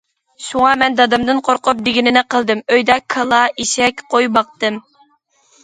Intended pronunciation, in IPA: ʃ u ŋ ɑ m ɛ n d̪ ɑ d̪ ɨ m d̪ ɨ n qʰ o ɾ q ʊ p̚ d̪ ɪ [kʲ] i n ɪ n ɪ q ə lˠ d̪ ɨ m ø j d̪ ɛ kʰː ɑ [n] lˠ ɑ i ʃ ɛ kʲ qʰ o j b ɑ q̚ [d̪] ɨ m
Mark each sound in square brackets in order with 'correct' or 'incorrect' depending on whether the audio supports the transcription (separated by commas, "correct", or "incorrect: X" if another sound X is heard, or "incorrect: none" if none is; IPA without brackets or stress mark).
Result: incorrect: ɡʲ, incorrect: none, incorrect: t̪